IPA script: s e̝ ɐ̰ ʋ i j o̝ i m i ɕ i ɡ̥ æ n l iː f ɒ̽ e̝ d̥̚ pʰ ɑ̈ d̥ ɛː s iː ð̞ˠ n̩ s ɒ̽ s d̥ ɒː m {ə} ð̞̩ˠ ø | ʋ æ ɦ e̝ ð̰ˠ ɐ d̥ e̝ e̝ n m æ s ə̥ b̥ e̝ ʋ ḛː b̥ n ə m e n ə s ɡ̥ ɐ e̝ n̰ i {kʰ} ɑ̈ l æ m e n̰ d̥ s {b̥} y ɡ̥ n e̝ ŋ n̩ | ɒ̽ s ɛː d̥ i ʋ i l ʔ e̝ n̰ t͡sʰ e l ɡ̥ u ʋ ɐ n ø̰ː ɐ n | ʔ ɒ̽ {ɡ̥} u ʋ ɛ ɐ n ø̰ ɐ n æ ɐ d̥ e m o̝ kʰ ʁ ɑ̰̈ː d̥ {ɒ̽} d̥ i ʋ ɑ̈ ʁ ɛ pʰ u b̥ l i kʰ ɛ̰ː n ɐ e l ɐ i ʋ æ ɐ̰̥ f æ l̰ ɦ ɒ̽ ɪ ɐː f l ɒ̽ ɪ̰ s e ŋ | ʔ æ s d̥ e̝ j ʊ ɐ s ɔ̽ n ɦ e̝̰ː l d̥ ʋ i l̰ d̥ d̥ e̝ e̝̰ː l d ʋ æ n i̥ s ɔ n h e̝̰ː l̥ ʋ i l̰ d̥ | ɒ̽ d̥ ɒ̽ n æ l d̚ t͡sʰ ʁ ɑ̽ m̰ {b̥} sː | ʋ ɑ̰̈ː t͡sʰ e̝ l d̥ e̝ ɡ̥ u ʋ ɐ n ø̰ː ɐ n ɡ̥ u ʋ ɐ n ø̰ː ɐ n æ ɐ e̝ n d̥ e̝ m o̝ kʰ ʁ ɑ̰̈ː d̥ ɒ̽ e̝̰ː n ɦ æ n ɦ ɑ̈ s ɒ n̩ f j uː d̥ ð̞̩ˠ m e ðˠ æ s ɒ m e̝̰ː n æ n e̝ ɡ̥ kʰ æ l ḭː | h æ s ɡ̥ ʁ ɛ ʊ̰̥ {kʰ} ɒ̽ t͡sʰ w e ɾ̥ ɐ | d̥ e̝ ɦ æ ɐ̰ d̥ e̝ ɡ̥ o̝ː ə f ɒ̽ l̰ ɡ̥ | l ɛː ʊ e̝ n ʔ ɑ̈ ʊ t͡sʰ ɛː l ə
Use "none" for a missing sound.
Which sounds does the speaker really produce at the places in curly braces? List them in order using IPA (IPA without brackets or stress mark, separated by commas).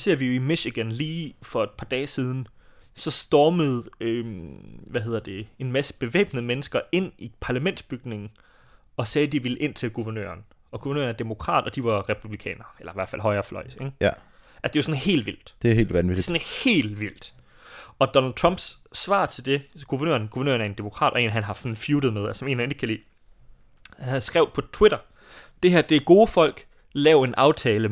ə, pʰ, b̥, ɡ̥, ɒ̽, b̥, pʰ